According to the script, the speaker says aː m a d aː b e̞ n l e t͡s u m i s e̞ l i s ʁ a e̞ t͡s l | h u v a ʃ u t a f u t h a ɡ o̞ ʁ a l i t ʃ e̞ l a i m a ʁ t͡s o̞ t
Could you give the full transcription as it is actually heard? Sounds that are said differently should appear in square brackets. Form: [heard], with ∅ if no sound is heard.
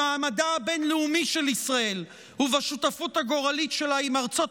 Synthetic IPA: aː m a d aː b e̞ n l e [∅] u m i [ʃ] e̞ l i s ʁ a e̞ [∅] l | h u v a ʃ u t a f u t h a ɡ o̞ ʁ a l i t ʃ e̞ l a i m a ʁ t͡s o̞ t